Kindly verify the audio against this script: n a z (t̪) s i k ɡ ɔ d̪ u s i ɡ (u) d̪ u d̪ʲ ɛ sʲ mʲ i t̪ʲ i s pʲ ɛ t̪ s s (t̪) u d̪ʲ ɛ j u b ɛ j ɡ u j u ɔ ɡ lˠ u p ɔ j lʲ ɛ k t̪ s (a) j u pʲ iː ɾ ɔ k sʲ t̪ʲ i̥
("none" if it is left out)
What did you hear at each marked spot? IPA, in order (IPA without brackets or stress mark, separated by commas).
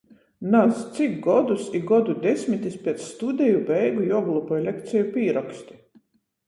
t̪, ɔ, t̪, ɛ